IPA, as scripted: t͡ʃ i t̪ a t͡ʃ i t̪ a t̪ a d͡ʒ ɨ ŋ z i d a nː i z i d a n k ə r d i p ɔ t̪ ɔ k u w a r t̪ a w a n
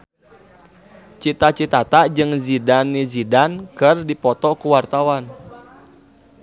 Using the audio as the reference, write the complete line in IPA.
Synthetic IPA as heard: t͡ʃ i t̪ a t͡ʃ i t̪ a t̪ a d͡ʒ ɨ ŋ z i d a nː i z i d a n k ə r d i p ɔ t̪ ɔ k u w a r t̪ a w a n